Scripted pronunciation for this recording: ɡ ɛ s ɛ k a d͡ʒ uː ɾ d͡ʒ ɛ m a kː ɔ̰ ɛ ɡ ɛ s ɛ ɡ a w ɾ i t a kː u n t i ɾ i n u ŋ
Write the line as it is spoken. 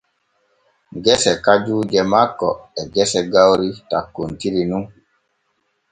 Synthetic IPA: ɡ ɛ s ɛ k a d͡ʒ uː d͡ʒ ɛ m a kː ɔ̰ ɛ ɡ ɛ s ɛ ɡ a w ɾ i t a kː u n t i ɾ i n u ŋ